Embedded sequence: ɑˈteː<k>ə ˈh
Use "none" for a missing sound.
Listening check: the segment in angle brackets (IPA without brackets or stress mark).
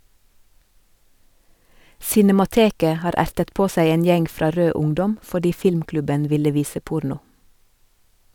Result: k